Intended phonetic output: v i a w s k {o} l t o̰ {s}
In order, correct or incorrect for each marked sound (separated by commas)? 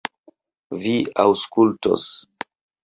incorrect, correct